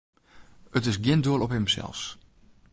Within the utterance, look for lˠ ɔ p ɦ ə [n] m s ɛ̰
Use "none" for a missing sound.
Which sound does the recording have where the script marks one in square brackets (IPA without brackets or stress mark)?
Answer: none